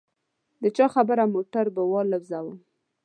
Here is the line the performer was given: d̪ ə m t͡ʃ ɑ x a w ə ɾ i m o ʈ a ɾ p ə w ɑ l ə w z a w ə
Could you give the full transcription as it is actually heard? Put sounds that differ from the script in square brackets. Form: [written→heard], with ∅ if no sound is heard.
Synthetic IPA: d̪ ə [m→∅] t͡ʃ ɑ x a [w→b] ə ɾ [i→a] m o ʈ a ɾ [p→b] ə w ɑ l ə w z a w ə